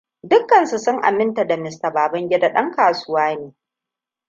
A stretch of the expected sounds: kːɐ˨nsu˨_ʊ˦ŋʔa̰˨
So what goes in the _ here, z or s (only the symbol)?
s